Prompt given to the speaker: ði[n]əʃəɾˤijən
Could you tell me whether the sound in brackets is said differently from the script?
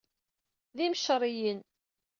yes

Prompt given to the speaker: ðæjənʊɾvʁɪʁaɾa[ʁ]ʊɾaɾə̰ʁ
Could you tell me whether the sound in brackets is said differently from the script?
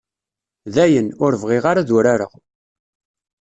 yes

